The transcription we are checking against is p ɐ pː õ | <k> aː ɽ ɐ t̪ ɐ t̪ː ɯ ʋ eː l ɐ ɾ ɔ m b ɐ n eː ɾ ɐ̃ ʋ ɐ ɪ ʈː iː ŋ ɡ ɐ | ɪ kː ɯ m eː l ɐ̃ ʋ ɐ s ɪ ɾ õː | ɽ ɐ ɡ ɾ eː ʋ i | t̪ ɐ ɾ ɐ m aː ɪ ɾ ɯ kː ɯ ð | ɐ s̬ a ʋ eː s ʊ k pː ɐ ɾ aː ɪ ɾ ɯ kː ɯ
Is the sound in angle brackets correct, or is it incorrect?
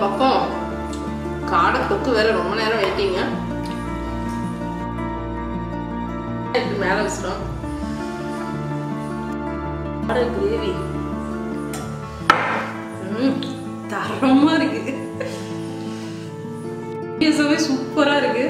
correct